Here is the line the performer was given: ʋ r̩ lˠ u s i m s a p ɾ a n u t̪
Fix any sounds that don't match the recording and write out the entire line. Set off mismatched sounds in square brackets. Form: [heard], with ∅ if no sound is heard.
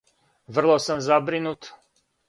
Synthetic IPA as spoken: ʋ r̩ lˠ [o] s [a] m [z] a [b] ɾ [i] n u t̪